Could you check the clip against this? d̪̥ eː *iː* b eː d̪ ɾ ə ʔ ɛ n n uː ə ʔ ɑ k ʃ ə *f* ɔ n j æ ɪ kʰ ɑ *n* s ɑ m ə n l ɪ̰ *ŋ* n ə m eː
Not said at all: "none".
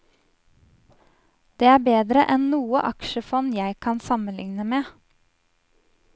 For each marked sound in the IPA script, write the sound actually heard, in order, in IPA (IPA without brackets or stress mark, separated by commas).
æː, f, n, ŋ